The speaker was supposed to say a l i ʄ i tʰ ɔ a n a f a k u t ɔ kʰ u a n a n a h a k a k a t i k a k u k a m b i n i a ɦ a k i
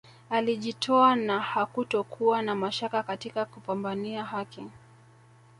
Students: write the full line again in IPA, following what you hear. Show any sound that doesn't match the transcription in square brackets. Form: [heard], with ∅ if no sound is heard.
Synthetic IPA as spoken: a l i ʄ i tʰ ɔ a n a [h] a k u t ɔ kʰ u a n a [m] a [ʃ] a k a k a t i k a k u [p] a m b [a] n i a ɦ a k i